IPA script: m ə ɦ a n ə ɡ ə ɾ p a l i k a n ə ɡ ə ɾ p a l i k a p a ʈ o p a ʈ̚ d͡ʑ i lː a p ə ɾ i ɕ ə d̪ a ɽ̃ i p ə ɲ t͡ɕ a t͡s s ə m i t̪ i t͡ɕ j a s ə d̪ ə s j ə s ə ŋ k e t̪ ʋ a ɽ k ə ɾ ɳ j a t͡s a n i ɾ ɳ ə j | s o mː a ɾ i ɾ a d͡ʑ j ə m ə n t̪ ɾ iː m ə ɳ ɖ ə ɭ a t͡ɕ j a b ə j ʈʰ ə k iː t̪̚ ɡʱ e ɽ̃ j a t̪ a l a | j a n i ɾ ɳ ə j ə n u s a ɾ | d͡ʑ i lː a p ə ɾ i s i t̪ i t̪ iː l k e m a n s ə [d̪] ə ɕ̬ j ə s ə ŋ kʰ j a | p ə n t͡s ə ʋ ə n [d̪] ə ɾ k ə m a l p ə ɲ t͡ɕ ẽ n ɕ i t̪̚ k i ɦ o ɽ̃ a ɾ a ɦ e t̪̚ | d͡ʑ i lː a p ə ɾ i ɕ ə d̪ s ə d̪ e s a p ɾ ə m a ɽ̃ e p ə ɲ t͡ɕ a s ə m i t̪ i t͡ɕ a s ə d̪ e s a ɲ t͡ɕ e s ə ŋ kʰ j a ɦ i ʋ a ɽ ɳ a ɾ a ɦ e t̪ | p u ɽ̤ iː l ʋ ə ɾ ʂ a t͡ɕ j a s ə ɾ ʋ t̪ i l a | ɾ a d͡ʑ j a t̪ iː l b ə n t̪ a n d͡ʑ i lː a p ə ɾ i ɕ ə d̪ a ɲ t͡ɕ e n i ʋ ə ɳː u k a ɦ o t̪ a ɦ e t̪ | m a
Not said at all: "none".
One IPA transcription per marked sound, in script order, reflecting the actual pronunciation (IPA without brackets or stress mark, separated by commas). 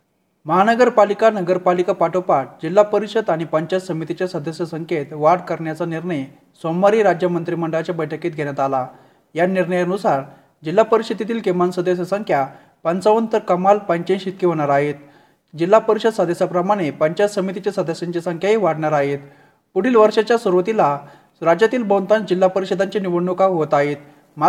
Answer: d̪, t̪